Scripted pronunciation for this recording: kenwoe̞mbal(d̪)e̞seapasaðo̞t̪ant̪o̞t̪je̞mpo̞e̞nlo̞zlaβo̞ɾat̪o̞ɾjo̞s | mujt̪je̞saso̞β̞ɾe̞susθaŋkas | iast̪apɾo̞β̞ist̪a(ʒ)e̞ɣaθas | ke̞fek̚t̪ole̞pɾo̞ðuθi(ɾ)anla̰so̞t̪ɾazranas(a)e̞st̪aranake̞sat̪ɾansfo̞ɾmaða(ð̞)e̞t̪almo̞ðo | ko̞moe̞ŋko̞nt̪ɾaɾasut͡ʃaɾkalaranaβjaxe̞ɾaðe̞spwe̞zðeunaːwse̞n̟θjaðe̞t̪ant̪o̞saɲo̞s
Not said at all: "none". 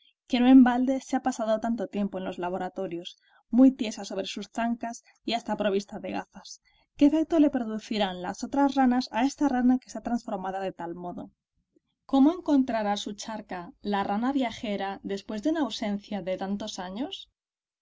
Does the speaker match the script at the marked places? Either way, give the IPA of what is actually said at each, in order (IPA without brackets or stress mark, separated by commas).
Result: d̪, ð, ɾ, a, ð̞